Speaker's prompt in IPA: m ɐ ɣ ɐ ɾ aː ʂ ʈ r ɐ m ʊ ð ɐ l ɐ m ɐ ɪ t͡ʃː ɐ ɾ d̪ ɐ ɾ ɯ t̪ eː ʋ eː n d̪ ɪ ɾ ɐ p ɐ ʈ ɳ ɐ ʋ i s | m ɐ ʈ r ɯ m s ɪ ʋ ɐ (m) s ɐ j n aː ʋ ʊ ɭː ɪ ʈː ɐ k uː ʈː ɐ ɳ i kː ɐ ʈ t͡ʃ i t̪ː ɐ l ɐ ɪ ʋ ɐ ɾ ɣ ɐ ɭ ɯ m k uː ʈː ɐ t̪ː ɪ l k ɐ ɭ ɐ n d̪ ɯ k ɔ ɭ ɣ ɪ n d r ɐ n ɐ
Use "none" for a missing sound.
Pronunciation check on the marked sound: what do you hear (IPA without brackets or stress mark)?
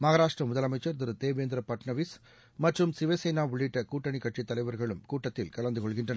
none